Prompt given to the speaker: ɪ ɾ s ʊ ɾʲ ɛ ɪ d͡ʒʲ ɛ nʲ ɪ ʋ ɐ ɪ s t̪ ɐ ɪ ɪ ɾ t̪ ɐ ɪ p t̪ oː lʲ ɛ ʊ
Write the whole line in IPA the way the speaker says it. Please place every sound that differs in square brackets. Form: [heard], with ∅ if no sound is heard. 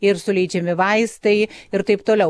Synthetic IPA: ɪ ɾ s ʊ [lʲ] ɛ ɪ d͡ʒʲ ɛ [mʲ] ɪ ʋ ɐ ɪ s t̪ ɐ ɪ ɪ ɾ t̪ ɐ ɪ p t̪ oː lʲ ɛ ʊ